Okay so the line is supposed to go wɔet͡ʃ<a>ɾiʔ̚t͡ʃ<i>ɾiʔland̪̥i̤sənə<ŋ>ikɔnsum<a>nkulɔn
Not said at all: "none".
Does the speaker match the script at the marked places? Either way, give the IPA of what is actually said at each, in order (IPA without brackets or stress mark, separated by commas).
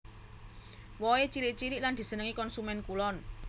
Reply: i, i, ŋ, ɛ